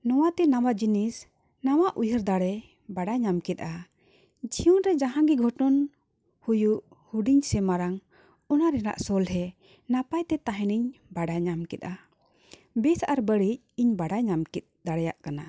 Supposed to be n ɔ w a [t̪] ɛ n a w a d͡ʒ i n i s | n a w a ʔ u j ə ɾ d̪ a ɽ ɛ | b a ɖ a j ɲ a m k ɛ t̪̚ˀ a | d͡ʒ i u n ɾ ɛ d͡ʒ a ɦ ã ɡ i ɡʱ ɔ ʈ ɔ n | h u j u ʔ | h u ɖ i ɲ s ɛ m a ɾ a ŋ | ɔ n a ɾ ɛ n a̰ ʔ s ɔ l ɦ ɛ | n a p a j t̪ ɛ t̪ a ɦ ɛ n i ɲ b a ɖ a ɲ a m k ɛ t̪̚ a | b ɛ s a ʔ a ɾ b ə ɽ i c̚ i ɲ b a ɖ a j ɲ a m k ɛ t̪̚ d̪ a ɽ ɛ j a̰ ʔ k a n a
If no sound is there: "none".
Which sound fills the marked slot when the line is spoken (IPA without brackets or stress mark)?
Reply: t̪